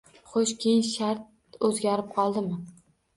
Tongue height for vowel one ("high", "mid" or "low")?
mid